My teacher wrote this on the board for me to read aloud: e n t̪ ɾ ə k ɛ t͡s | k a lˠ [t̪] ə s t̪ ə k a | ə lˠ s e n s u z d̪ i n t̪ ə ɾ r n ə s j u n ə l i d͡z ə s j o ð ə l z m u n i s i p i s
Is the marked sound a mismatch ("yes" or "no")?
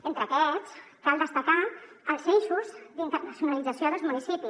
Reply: yes